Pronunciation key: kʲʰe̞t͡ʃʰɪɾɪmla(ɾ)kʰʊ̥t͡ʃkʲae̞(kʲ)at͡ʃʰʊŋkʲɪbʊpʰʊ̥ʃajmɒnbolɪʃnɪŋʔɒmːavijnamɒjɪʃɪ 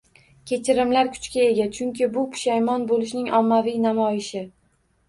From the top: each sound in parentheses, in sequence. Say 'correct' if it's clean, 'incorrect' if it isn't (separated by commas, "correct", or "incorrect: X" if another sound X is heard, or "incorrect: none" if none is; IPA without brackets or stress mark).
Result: correct, incorrect: ɡʲ